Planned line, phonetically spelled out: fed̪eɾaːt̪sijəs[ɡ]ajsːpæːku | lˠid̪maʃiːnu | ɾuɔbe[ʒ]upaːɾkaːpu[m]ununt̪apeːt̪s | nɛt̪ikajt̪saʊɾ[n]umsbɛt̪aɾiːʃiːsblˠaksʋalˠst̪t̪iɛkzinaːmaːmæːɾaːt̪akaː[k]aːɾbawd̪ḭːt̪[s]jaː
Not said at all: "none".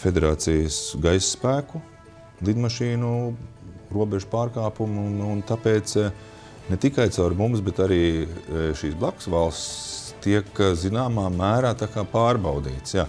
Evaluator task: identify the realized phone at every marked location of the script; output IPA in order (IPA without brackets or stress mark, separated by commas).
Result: ɡ, ʒ, m, m, p, s